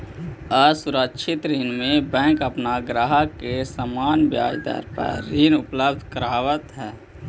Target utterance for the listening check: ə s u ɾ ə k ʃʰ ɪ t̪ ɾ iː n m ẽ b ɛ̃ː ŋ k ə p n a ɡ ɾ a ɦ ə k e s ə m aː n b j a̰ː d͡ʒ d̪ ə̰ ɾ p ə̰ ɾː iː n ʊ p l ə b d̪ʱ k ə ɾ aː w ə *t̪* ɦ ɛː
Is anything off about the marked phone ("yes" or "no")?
no